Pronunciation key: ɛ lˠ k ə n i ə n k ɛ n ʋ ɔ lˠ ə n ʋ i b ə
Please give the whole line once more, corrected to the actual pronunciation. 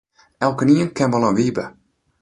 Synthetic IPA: ɛ lˠ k ə n i ə n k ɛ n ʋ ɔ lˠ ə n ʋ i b ə